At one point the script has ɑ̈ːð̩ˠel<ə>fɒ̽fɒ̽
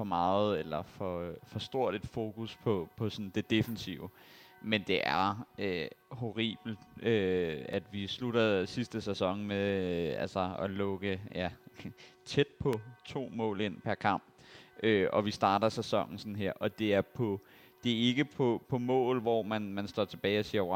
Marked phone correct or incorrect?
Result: incorrect